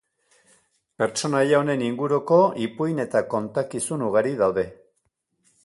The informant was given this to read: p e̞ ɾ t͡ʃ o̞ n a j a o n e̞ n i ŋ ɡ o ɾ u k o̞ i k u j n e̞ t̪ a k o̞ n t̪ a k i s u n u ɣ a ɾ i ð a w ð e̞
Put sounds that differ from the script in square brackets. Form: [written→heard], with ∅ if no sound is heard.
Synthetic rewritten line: p e̞ ɾ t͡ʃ o̞ n a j a o n e̞ n i ŋ ɡ [o→u] ɾ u k o̞ i [k→p] u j n e̞ t̪ a k o̞ n t̪ a k i s u n u ɣ a ɾ i ð a w ð e̞